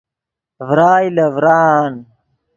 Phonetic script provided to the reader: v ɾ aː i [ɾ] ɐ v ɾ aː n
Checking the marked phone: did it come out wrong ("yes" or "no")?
yes